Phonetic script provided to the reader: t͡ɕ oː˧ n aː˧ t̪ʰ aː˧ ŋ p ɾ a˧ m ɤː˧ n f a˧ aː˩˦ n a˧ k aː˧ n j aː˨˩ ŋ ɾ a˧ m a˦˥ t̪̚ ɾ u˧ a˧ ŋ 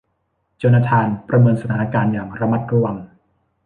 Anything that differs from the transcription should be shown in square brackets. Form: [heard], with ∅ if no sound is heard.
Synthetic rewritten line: t͡ɕ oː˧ n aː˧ t̪ʰ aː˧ [n] p ɾ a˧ m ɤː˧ n [s] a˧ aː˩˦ n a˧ k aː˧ n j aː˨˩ ŋ ɾ a˧ m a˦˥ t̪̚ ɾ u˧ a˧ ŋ